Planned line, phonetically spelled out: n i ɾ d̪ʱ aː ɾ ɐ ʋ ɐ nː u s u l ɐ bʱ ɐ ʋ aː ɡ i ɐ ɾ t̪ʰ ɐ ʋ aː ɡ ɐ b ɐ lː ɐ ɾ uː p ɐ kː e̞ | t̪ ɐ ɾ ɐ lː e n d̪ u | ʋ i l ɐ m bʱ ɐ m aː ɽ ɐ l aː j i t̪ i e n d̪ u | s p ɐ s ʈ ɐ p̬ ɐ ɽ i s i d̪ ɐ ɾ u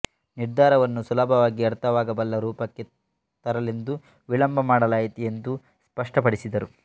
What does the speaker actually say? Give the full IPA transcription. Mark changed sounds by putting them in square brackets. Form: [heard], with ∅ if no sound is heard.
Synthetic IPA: n i ɾ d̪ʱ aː ɾ ɐ ʋ ɐ nː u s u l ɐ bʱ ɐ ʋ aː ɡ i ɐ ɾ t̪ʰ ɐ ʋ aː ɡ ɐ b ɐ lː ɐ ɾ uː p ɐ kː e̞ | t̪ ɐ ɾ ɐ [l] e n d̪ u | ʋ i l ɐ m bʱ ɐ m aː ɽ ɐ l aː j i t̪ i e n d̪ u | s p ɐ [ʂ] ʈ ɐ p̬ ɐ ɽ i s i d̪ ɐ ɾ u